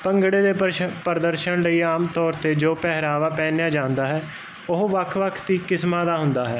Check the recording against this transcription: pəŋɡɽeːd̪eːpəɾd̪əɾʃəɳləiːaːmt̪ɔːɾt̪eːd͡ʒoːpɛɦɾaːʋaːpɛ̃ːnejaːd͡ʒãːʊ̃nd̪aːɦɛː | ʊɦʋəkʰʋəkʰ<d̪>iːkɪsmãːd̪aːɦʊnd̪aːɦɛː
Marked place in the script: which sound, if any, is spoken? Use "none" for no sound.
t̪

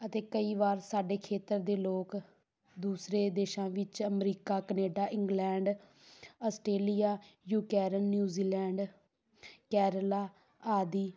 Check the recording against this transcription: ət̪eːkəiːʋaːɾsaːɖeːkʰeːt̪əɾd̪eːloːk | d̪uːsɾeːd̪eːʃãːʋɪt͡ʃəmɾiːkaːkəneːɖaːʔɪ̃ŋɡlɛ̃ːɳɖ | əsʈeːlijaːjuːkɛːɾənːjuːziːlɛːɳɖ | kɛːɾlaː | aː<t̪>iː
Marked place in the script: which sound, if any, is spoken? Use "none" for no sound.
d̪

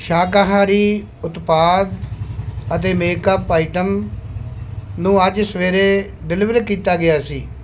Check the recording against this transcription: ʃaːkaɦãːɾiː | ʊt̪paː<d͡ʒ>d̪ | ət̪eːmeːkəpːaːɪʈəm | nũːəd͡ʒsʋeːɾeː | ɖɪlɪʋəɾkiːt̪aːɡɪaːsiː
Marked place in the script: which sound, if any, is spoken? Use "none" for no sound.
none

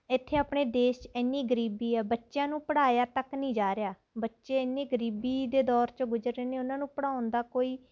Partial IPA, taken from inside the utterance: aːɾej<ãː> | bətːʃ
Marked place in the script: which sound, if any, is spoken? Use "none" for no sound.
aː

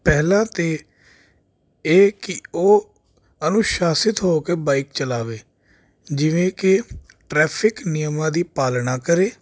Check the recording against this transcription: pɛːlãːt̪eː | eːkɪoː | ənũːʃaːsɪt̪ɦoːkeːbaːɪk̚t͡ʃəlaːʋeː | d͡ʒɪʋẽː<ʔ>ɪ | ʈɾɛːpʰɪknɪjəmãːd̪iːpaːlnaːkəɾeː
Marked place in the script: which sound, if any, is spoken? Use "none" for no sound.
k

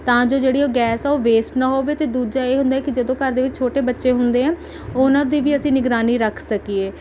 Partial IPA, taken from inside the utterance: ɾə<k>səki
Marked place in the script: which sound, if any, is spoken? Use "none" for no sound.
kʰ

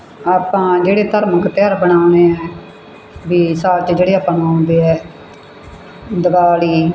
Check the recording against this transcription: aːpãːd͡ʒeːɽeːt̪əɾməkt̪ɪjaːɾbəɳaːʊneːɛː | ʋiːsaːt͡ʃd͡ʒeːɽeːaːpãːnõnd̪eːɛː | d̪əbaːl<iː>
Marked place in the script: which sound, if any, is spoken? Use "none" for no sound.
iː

